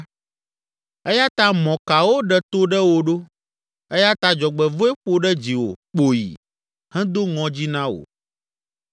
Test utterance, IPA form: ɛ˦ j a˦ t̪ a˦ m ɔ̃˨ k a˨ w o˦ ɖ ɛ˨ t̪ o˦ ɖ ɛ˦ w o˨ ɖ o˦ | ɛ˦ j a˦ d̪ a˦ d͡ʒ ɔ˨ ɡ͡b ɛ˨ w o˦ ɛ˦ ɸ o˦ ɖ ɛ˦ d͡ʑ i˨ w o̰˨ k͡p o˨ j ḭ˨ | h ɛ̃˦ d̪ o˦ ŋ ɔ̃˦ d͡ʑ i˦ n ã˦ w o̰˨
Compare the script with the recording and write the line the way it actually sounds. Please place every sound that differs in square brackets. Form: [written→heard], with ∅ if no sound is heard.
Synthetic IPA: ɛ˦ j a˦ t̪ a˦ m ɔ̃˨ k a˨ w o˦ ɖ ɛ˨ t̪ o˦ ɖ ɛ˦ w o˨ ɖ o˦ | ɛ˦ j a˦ [d̪→t̪] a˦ d͡ʒ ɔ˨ ɡ͡b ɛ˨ [w→v] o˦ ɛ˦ ɸ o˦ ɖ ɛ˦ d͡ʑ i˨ w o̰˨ k͡p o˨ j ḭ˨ | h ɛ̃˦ d̪ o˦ ŋ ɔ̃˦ d͡ʑ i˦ n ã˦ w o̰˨